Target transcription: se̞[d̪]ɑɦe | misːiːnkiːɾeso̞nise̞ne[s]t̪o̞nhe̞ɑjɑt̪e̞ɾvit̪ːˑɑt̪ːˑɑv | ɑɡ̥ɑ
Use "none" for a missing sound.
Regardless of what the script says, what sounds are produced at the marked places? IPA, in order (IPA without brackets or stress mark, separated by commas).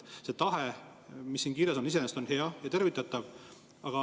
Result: t̪, s